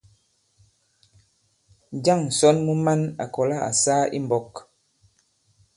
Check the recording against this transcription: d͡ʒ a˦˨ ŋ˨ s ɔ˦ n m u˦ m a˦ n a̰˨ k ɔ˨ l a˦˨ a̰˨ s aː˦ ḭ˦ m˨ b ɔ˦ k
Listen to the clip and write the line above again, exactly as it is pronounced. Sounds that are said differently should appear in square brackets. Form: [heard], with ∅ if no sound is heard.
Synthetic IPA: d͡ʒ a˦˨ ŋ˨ s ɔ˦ n m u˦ m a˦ n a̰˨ k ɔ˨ l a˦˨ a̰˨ s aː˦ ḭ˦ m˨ b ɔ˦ k